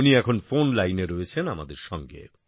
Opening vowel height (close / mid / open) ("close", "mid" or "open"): close